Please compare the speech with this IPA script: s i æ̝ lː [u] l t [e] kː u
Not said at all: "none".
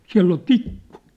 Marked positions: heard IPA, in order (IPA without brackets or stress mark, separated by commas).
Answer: o, i